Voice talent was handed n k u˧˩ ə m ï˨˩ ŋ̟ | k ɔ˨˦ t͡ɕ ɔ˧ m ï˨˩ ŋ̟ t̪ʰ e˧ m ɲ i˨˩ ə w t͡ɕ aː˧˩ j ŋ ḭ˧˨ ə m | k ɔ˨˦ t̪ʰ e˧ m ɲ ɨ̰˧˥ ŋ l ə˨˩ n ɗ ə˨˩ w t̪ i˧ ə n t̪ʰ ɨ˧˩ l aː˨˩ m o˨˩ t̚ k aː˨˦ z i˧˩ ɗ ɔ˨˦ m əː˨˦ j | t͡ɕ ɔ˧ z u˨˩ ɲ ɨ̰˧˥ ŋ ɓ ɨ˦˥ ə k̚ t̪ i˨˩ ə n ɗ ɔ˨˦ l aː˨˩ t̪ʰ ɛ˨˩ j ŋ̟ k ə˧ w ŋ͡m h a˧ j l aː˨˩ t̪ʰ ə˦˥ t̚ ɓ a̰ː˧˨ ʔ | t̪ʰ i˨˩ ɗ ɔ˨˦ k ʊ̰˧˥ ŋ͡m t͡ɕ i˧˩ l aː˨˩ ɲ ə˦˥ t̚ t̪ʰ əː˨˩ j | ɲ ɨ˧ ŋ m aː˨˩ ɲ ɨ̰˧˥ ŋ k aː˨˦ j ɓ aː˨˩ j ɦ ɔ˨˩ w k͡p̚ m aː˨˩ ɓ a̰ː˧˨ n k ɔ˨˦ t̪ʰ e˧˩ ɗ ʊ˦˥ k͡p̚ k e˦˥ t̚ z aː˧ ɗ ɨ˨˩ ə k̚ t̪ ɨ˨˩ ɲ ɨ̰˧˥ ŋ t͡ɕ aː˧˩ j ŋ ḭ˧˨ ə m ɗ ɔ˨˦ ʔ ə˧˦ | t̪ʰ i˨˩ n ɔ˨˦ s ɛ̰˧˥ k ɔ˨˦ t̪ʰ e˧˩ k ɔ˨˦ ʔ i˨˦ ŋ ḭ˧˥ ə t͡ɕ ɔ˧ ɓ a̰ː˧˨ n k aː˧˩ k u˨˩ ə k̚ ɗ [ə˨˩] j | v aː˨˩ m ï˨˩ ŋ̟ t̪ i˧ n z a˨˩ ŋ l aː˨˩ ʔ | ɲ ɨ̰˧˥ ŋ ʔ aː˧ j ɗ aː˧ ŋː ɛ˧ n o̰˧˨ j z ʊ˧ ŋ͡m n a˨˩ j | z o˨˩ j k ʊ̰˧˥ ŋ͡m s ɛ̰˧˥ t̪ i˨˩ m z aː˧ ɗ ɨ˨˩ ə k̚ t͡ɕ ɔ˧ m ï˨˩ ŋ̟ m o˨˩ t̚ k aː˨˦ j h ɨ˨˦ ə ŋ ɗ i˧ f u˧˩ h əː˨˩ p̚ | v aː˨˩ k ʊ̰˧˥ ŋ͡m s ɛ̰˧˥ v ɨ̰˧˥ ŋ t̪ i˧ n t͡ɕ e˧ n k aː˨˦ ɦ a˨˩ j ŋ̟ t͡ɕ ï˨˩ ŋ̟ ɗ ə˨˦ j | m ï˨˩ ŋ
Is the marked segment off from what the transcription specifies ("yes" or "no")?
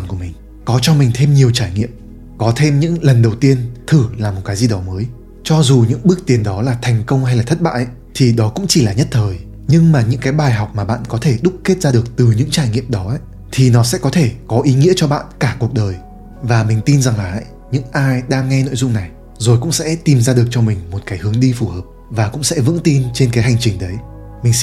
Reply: yes